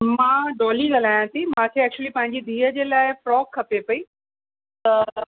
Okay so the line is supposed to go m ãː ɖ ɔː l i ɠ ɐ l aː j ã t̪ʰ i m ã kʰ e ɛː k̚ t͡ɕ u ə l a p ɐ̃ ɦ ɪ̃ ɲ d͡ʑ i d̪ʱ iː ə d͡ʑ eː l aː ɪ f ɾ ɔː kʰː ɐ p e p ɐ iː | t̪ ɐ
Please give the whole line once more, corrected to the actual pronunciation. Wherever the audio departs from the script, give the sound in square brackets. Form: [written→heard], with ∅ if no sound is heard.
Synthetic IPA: m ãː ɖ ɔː l i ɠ ɐ l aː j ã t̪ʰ i m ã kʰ e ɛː k̚ t͡ɕ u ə l [a→i] p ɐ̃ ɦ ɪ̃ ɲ d͡ʑ i d̪ʱ iː ə d͡ʑ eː l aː ɪ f ɾ ɔː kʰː ɐ p e p ɐ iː | t̪ ɐ

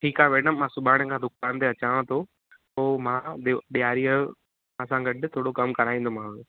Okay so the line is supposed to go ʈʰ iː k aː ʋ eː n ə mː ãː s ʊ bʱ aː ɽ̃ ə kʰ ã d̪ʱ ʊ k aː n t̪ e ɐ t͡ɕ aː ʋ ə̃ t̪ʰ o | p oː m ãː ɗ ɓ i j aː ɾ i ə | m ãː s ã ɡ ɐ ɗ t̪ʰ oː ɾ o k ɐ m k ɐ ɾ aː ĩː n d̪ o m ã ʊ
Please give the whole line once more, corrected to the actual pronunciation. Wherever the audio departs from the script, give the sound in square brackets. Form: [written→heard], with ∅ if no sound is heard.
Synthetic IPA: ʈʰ iː k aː ʋ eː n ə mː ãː s ʊ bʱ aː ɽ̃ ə kʰ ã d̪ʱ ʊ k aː n t̪ e ɐ t͡ɕ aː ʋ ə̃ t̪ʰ o | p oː m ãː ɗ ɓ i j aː ɾ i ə | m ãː s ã ɡ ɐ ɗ t̪ʰ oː [ɾ→ɽ] o k ɐ m k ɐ ɾ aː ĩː n d̪ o m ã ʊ

